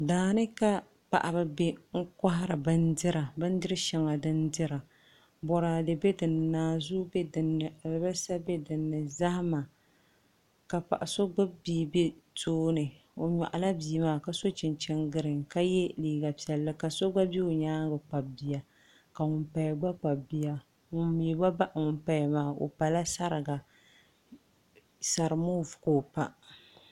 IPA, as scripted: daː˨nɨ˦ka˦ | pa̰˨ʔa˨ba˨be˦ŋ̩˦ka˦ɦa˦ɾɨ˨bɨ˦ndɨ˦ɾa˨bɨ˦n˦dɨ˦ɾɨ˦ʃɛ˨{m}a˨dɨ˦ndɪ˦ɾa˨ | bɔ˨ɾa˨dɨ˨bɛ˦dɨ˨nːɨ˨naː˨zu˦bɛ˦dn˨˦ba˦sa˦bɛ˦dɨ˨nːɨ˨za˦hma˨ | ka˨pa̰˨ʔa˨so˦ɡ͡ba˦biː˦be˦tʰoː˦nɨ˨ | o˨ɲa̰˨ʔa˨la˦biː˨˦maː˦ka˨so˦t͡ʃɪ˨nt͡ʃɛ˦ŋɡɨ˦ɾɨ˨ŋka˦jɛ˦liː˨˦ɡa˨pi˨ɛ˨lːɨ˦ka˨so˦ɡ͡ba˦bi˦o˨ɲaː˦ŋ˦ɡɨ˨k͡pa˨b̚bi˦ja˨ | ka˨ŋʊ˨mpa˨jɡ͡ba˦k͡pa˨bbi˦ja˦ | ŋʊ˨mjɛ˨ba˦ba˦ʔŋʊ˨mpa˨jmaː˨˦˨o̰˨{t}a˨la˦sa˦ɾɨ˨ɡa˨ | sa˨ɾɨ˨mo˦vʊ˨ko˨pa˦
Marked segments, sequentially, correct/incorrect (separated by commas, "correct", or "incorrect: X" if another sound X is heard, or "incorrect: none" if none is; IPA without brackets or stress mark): incorrect: ŋ, incorrect: p